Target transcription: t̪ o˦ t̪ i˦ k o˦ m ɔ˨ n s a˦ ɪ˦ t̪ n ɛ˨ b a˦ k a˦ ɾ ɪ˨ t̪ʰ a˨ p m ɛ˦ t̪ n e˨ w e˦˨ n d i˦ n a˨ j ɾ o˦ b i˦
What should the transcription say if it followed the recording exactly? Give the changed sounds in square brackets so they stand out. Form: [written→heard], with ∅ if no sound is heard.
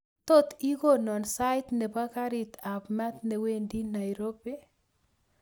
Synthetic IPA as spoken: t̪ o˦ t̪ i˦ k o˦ [m→n] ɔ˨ n s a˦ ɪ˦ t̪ n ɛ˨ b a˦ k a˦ ɾ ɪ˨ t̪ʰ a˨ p m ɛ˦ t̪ n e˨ w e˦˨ n d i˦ n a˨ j ɾ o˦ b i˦